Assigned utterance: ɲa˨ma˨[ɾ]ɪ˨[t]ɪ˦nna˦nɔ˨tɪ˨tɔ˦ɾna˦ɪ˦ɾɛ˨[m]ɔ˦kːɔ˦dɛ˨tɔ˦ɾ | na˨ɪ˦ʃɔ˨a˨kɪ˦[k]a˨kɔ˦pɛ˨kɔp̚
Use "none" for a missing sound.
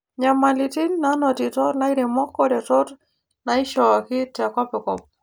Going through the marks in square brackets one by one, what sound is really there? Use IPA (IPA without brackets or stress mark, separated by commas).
l, t, m, t